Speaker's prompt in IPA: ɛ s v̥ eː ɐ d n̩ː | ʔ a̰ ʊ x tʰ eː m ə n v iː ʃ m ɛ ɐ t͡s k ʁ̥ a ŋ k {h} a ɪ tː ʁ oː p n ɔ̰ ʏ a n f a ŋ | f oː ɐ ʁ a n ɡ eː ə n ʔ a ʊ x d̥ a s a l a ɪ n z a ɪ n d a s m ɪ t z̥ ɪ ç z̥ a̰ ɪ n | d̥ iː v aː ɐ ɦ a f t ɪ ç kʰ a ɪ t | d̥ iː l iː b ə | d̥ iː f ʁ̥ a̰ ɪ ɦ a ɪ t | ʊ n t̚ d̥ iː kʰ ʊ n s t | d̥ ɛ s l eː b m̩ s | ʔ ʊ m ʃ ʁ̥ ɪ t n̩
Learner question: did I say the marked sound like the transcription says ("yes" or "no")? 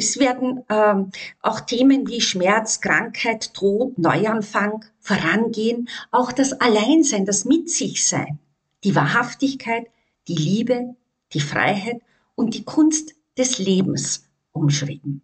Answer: yes